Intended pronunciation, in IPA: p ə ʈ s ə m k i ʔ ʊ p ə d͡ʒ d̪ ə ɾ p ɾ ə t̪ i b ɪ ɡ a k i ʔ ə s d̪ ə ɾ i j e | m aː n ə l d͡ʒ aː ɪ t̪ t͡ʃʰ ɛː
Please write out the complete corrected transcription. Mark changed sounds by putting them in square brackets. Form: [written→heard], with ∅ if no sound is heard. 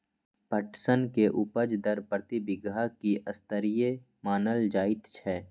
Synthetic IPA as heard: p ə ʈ s ə [m→n] k [i→e] ʔ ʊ p ə d͡ʒ d̪ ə ɾ p ɾ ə t̪ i b ɪ ɡ a k i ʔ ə s [d̪→t̪] ə ɾ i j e | m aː n ə l d͡ʒ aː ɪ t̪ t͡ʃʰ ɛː